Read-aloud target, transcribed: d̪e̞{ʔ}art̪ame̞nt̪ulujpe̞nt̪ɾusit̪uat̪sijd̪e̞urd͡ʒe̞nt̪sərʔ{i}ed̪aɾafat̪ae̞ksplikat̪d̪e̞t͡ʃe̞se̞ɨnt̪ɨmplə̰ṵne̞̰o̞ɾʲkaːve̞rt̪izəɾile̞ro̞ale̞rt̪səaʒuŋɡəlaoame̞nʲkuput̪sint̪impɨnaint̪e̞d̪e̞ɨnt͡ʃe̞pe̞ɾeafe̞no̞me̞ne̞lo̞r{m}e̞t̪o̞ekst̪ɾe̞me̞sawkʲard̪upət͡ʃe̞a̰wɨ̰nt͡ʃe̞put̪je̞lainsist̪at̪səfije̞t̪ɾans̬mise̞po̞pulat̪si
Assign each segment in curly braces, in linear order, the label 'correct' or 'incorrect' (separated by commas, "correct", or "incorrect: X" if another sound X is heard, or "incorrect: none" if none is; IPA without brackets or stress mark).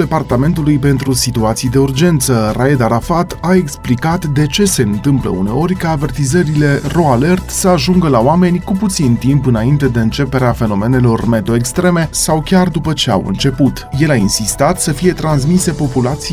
incorrect: p, incorrect: a, correct